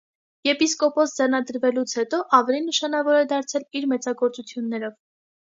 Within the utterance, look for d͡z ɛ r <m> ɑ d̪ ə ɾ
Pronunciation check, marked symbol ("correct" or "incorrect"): incorrect